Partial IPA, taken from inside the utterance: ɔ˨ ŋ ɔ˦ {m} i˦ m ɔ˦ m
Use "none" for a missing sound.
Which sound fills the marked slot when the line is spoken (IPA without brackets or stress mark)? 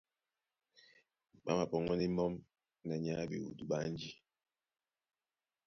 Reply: n